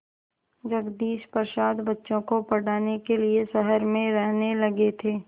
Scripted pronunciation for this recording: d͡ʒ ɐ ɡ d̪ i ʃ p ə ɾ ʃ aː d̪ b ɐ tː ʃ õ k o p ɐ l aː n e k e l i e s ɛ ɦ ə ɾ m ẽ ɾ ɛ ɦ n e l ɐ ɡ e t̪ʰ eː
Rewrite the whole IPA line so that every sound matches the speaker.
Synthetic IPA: d͡ʒ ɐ ɡ d̪ iː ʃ p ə ɾ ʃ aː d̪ b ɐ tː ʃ õ k o p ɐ ɽ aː n e k e l i e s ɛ ɦ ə ɾ m ẽ ɾ ɛ ɦ n e l ɐ ɡ e t̪ʰ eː